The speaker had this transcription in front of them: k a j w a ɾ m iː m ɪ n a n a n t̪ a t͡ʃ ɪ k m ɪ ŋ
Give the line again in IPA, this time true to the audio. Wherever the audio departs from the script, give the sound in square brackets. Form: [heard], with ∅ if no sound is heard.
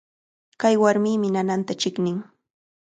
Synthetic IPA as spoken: k a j w a ɾ m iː m ɪ n a n a n t̪ a t͡ʃ ɪ k [n] ɪ ŋ